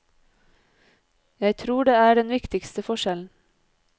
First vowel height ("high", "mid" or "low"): low